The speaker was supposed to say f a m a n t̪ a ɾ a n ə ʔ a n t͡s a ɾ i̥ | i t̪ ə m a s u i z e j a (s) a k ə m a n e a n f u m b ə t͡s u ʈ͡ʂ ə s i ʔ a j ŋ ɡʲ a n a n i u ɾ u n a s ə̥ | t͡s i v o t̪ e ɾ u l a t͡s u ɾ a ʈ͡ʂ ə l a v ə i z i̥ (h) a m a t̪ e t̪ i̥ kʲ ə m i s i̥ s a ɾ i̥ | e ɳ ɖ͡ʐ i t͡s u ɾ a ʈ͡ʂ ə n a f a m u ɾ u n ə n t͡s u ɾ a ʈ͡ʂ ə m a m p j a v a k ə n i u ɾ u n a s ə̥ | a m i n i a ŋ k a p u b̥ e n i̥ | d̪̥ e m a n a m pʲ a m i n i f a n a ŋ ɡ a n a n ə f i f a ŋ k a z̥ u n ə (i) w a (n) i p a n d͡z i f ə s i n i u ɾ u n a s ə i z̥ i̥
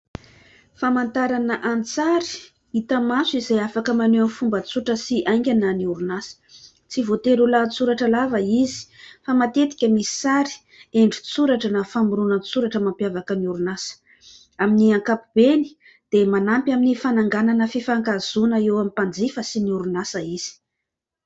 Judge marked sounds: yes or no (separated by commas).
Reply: no, no, no, no